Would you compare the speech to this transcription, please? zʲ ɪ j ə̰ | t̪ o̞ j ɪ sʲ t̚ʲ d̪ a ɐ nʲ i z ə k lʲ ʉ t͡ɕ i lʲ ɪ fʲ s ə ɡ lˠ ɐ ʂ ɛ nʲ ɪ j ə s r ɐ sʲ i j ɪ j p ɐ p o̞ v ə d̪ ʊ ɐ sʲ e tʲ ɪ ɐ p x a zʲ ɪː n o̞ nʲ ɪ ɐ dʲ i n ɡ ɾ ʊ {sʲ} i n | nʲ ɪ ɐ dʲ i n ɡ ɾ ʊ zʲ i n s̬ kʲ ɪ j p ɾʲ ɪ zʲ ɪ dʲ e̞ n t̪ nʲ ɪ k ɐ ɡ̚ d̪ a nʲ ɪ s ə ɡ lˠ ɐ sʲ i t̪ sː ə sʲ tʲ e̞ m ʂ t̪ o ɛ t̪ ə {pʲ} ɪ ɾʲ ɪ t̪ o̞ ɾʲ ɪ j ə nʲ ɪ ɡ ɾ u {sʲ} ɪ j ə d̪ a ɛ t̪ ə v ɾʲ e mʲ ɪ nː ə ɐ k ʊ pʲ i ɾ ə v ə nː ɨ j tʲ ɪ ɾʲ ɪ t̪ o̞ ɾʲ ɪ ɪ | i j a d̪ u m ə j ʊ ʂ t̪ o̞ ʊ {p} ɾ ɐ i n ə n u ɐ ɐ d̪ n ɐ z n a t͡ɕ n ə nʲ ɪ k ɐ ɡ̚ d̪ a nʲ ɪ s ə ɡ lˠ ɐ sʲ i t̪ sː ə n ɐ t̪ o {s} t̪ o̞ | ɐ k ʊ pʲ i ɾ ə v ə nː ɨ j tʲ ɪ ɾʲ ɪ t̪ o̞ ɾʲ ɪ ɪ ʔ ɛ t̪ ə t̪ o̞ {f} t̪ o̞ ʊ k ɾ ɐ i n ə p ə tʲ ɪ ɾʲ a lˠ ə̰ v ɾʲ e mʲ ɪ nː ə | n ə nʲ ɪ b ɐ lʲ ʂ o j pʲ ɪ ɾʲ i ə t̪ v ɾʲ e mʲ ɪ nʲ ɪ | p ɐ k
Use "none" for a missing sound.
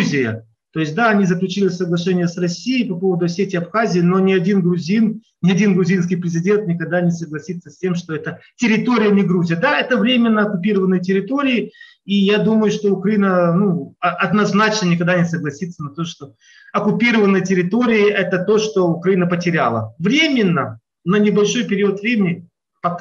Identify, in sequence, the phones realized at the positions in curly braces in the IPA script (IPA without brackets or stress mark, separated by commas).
zʲ, tʲ, zʲ, k, ʂ, ʂ